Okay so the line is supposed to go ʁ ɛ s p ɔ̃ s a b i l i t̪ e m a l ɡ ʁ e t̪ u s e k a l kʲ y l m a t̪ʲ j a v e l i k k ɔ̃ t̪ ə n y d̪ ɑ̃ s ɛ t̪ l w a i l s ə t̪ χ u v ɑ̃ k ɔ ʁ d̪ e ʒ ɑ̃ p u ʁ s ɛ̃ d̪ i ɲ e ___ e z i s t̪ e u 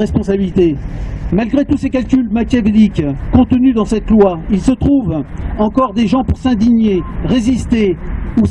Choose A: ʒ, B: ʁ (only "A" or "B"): B